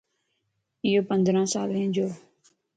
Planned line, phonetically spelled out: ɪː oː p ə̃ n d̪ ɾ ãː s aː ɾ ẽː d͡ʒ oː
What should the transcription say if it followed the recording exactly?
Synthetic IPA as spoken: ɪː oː p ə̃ n d̪ ɾ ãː s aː l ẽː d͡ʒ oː